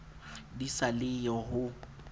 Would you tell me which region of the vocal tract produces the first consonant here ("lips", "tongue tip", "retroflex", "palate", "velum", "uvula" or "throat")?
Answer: tongue tip